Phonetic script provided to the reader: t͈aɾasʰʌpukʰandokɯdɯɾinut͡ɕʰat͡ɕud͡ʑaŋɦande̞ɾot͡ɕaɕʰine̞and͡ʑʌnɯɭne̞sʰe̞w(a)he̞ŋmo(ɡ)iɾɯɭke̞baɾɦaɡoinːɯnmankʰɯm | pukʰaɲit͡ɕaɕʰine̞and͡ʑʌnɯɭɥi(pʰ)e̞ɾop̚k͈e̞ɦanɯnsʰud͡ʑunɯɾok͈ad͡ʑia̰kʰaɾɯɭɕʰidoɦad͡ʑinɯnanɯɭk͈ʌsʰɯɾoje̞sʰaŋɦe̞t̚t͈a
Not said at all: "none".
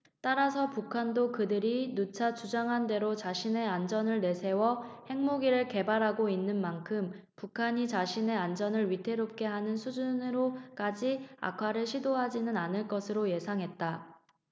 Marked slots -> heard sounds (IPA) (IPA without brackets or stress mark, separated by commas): ʌ, ɡ, tʰ